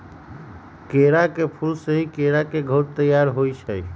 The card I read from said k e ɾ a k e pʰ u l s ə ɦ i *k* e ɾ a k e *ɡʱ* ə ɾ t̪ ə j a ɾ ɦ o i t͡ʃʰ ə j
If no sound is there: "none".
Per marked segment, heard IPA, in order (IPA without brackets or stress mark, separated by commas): k, ɡʱ